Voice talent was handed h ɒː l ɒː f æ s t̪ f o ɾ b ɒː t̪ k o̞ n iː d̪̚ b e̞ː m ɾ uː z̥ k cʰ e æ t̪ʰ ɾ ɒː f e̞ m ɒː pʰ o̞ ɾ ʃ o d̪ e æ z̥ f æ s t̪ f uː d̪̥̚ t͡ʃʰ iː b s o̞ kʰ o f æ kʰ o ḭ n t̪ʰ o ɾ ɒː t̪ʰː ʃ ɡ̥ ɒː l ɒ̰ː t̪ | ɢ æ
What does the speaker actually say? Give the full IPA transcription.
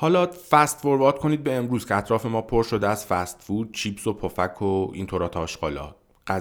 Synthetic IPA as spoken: h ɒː l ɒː f æ s t̪ f o ɾ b ɒː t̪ k o̞ n iː d̪̚ b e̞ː m ɾ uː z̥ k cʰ e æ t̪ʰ ɾ ɒː f e̞ m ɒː pʰ o̞ ɾ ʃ o d̪ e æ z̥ f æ s t̪ f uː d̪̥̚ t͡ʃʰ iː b s o̞ pʰ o f æ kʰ o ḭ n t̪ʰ o ɾ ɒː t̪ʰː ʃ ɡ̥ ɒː l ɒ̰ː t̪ | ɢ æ